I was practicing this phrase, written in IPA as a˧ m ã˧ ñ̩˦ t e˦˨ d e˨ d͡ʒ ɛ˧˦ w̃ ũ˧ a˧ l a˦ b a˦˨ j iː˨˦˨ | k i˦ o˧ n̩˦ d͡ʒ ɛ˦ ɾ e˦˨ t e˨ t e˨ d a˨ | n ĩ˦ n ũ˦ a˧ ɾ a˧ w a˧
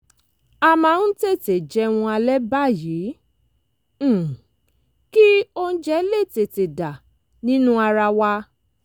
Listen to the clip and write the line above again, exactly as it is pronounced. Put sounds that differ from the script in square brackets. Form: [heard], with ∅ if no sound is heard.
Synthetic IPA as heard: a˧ m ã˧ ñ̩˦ t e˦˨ [t] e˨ d͡ʒ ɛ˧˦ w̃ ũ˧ a˧ l [ɛ˦] b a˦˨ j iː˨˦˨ | k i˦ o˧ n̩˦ d͡ʒ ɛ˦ [l] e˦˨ t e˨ t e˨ d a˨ | n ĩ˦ n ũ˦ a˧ ɾ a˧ w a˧

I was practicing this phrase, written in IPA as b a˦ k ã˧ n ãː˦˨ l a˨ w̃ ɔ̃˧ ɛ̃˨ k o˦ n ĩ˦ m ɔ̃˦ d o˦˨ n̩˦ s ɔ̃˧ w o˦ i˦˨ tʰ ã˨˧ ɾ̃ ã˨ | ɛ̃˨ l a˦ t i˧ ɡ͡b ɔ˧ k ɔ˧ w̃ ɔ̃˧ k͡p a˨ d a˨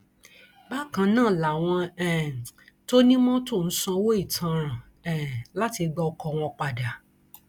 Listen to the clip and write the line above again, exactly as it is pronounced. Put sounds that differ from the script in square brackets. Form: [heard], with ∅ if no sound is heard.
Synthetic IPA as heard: b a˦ k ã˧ n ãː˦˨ l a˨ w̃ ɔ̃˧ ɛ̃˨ [t] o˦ n ĩ˦ m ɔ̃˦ [t] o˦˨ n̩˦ s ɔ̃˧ w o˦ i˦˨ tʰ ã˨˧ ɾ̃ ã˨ | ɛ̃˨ l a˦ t i˧ ɡ͡b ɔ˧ k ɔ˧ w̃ ɔ̃˧ k͡p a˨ d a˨

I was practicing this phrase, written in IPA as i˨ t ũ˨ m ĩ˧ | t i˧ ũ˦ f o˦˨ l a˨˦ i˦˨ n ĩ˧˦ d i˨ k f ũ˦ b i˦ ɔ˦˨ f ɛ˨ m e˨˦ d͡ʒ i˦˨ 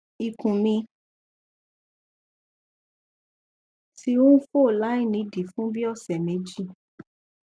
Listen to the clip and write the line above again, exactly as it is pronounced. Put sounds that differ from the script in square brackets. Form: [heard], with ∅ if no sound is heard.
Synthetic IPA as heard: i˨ [k] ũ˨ m ĩ˧ | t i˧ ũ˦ f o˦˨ l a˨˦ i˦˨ n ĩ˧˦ d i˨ [∅] f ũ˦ b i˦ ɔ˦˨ [s] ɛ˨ m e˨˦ d͡ʒ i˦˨

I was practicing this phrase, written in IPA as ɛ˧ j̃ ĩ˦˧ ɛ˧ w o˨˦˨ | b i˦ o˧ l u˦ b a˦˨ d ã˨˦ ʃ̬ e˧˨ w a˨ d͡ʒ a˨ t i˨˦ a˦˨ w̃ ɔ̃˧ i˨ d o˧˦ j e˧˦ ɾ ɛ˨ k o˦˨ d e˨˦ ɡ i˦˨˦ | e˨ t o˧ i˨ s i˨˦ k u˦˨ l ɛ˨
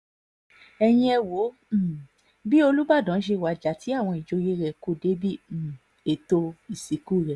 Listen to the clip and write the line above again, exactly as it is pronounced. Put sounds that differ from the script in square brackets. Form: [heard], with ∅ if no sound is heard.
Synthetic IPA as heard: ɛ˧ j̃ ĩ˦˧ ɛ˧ w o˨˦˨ | b i˦ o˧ l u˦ b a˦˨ d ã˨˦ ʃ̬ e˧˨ w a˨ d͡ʒ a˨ t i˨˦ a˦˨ w̃ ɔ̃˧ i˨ [d͡ʒ] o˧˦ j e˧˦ ɾ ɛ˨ k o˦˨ d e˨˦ [b] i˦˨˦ | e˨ t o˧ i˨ s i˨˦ k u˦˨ [ɾ] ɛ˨

